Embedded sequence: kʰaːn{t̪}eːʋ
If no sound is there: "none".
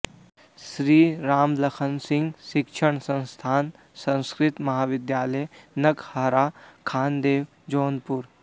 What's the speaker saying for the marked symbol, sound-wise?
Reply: d̪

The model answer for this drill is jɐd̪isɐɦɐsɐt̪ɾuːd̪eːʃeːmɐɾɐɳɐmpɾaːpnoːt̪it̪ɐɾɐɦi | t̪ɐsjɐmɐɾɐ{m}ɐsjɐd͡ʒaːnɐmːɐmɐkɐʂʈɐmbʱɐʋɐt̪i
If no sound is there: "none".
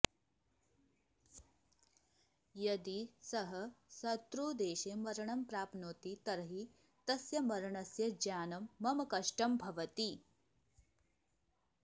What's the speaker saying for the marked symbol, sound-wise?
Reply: ɳ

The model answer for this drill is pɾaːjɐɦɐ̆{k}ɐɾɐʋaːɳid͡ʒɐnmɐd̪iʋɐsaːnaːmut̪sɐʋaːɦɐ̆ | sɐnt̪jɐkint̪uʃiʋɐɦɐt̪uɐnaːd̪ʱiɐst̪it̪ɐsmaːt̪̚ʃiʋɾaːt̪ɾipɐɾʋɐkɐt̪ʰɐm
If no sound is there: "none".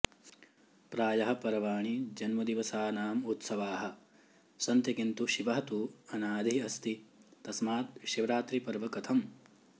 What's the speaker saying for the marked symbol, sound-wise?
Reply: p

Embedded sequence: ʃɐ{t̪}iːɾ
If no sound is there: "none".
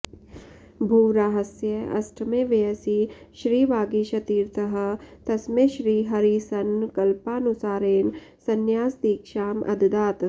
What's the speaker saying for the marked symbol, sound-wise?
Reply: t̪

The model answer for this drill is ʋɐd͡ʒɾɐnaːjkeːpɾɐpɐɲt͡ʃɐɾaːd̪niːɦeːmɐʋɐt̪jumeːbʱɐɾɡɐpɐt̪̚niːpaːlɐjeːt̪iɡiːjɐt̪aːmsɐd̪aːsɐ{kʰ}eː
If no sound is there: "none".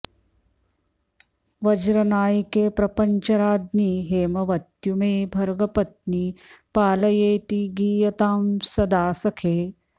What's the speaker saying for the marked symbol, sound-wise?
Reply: kʰ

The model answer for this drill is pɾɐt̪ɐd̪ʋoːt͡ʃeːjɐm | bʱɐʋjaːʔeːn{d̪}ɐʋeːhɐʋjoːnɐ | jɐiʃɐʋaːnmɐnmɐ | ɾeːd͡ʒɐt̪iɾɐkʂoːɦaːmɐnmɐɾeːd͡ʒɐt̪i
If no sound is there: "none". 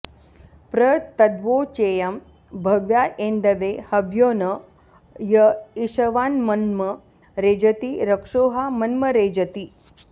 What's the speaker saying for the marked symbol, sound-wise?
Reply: d̪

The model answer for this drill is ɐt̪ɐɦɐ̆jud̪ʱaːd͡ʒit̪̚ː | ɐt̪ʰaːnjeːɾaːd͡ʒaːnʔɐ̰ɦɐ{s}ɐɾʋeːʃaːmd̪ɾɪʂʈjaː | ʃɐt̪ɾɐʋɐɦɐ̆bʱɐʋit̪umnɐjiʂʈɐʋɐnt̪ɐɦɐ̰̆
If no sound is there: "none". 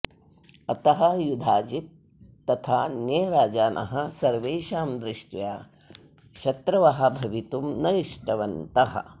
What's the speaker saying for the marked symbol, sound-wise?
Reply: s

